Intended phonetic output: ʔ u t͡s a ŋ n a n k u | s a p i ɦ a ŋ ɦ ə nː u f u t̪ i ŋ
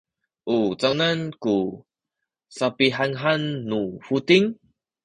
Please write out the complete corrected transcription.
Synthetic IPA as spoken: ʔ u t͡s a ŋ n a n k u | s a p i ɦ a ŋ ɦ a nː u f u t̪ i ŋ